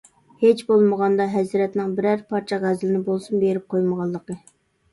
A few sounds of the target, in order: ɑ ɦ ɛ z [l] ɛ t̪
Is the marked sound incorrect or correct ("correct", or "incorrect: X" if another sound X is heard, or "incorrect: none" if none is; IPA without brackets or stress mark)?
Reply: incorrect: ɾ